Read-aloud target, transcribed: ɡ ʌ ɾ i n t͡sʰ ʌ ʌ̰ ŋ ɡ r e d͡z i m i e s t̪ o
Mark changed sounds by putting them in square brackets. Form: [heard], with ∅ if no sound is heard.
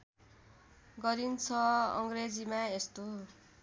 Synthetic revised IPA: ɡ ʌ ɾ i n t͡sʰ ʌ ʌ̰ ŋ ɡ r e d͡z i m [a] e s t̪ o

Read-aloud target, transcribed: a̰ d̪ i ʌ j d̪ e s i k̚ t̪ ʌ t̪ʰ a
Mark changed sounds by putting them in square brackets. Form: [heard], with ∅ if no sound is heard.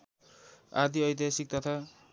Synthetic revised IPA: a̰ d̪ i ʌ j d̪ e s i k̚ t̪ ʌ t̪ʰ a

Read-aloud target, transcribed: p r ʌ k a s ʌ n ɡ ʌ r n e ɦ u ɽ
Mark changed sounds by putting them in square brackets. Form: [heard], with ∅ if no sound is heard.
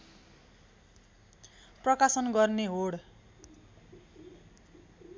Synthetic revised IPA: p r ʌ k a s ʌ n ɡ ʌ r n e ɦ [o] ɽ

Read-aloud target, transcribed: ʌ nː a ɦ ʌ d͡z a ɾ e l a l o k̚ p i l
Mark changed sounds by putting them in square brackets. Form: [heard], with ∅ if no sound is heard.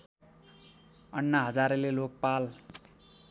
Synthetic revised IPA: ʌ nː a ɦ ʌ d͡z a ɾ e l [e] l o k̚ p [a] l

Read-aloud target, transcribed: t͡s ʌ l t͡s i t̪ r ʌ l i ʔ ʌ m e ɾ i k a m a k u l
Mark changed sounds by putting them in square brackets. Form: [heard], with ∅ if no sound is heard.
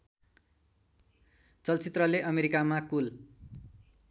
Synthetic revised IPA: t͡s ʌ l t͡s i t̪ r ʌ l [e] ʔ ʌ m e ɾ i k a m a k u l

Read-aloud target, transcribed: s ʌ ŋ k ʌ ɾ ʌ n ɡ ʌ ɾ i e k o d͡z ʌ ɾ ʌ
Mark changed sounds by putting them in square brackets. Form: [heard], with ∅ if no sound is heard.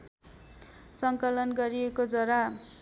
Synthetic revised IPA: s ʌ ŋ k ʌ [l] ʌ n ɡ ʌ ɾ i e k o d͡z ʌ ɾ [a]

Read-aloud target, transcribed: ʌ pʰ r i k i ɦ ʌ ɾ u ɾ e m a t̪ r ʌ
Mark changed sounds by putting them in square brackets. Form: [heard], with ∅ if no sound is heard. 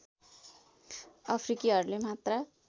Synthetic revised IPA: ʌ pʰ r i k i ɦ ʌ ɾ u [l] e m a t̪ r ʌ

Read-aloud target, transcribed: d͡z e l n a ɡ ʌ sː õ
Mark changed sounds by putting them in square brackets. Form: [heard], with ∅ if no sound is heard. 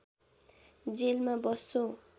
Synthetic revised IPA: d͡z e l [m] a [b] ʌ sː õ

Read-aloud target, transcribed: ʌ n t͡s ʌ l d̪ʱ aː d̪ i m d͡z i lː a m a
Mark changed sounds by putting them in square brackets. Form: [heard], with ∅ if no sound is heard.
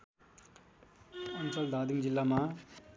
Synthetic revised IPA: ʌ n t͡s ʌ l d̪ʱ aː d̪ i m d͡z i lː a m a

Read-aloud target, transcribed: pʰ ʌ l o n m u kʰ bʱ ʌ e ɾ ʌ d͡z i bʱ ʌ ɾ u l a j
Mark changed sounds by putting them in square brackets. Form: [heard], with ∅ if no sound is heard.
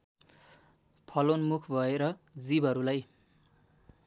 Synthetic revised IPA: pʰ ʌ l o n m u kʰ bʱ ʌ e ɾ ʌ d͡z i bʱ ʌ ɾ u l a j

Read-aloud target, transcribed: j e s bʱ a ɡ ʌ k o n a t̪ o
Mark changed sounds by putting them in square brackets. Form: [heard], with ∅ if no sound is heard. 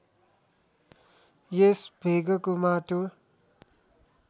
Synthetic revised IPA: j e s bʱ [e] ɡ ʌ k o [m] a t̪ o

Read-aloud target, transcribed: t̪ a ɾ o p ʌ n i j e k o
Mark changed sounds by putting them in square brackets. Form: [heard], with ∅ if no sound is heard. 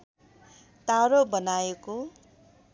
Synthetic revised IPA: t̪ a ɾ o [b] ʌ n [a] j e k o

